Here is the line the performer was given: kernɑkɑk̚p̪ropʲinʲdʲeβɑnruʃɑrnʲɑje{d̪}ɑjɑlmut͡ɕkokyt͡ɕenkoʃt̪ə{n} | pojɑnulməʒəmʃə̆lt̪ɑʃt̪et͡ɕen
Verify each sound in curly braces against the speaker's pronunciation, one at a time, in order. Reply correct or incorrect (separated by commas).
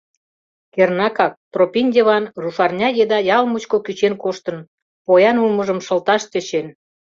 correct, correct